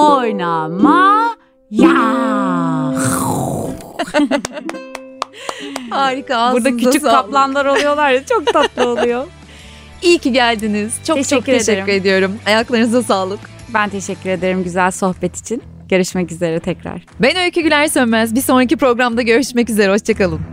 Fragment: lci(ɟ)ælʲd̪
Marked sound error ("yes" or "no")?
no